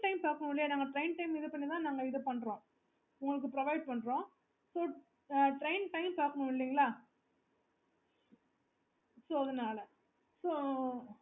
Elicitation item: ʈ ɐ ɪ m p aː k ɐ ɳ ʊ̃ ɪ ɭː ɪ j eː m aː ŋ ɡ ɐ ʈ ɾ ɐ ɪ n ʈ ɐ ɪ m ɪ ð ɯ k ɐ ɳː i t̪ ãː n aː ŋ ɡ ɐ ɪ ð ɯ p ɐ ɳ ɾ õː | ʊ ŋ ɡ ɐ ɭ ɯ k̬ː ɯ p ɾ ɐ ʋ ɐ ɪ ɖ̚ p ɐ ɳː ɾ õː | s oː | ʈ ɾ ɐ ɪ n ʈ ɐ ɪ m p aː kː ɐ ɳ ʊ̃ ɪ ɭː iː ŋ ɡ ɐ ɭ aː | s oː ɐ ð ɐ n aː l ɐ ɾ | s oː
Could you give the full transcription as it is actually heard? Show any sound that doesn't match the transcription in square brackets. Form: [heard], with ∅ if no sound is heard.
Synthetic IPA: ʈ ɐ ɪ m p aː k ɐ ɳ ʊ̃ ɪ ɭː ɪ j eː [n] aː ŋ ɡ ɐ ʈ ɾ ɐ ɪ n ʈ ɐ ɪ m ɪ ð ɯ [p] ɐ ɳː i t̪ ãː n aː ŋ ɡ ɐ ɪ ð ɯ p ɐ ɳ ɾ õː | ʊ ŋ ɡ ɐ ɭ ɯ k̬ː ɯ p ɾ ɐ ʋ ɐ ɪ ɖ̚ p ɐ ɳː ɾ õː | s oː | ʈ ɾ ɐ ɪ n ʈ ɐ ɪ m p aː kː ɐ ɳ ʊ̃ ɪ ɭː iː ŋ ɡ ɐ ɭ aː | s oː ɐ ð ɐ n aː l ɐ [∅] | s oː